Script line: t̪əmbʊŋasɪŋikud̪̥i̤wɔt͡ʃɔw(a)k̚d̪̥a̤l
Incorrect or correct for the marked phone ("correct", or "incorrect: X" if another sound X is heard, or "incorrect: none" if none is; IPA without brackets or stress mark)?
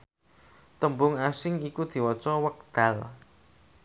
incorrect: ə